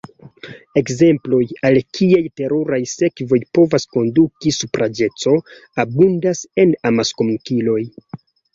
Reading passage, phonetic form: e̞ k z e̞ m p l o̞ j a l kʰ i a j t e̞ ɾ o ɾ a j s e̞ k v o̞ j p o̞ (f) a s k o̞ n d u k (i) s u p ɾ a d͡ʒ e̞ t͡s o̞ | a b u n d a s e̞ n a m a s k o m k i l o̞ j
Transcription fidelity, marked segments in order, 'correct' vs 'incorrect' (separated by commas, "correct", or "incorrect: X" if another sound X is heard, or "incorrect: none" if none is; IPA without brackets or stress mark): incorrect: v, correct